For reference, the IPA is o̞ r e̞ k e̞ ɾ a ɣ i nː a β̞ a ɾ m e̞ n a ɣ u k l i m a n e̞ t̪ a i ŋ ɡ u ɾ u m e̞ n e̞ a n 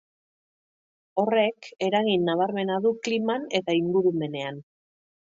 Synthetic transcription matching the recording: o̞ r e̞ k e̞ ɾ a ɣ i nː a β̞ a ɾ m e̞ n a ð u k l i m a n e̞ t̪ a i ŋ ɡ u ɾ u m e̞ n e̞ a n